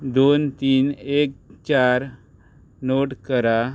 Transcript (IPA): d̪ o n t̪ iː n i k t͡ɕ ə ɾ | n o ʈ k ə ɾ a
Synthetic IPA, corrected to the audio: d̪ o n t̪ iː n e k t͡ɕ a ɾ | n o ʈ k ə ɾ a